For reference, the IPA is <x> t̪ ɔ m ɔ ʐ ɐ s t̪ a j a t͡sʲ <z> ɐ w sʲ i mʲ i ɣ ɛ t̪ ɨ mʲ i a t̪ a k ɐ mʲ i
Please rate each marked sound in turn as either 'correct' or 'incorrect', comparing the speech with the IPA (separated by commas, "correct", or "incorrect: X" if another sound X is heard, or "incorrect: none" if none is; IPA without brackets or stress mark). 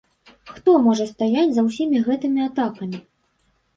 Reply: correct, correct